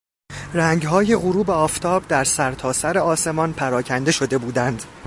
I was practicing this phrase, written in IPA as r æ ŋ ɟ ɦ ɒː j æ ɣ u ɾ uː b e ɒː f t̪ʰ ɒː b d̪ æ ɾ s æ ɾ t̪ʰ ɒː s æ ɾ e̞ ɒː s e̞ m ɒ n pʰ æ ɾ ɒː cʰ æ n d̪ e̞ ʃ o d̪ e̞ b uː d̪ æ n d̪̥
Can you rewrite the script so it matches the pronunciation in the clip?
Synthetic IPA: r æ ŋ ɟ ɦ ɒː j e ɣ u ɾ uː b e ɒː f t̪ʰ ɒː b d̪ æ ɾ s æ ɾ t̪ʰ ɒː s æ ɾ e̞ ɒː s e̞ m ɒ n pʰ æ ɾ ɒː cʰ æ n d̪ e̞ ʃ o d̪ e̞ b uː d̪ æ n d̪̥